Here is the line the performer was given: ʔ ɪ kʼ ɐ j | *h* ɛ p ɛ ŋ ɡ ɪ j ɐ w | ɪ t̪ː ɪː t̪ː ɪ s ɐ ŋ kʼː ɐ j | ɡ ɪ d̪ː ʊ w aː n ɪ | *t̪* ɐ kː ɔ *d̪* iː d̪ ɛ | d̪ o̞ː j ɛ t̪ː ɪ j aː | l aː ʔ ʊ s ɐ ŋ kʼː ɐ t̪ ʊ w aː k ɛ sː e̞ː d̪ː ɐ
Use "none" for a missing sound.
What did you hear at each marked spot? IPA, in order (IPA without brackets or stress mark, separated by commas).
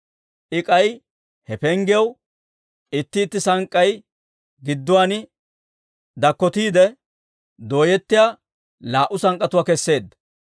h, d̪, t̪